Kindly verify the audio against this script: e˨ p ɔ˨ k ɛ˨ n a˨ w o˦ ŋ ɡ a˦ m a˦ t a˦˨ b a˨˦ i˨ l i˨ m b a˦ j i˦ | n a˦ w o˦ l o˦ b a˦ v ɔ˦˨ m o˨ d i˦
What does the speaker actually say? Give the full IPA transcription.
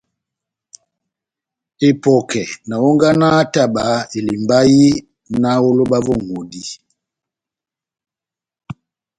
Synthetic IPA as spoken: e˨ p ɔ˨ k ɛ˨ n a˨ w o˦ ŋ ɡ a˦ n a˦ t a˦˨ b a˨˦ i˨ l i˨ m b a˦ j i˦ | n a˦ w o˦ l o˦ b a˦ v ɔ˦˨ ŋ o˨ d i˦